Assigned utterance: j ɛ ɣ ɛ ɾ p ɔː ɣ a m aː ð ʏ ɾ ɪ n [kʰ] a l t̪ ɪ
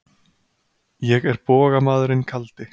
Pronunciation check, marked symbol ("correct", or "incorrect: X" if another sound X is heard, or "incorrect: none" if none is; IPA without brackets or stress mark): correct